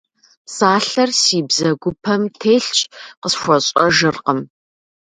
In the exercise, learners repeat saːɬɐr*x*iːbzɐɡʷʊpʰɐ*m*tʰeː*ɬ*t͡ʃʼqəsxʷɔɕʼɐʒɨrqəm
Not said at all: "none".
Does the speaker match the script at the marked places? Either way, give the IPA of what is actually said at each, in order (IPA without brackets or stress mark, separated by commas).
s, m, ɬ